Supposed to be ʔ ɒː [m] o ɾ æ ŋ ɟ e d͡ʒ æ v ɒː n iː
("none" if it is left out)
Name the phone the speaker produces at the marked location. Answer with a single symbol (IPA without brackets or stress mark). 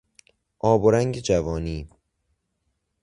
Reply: b